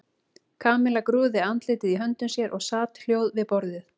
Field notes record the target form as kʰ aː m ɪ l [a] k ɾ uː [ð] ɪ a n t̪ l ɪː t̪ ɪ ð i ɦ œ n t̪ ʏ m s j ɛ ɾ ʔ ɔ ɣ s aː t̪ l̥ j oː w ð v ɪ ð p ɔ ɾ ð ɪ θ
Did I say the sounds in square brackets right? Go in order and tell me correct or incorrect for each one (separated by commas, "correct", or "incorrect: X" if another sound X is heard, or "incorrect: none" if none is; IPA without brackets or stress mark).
correct, correct